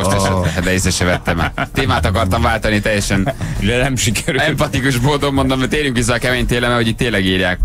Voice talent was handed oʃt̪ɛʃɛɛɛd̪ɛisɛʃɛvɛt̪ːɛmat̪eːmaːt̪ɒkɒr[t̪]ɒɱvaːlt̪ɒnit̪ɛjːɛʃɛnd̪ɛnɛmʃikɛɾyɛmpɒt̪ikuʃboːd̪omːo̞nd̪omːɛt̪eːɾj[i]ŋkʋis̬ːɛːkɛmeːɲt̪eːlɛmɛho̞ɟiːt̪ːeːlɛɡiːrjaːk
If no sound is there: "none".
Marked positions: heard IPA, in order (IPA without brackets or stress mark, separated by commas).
t̪, y